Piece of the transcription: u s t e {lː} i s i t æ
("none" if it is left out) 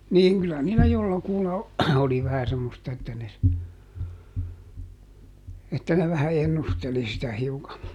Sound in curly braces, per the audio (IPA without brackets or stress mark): l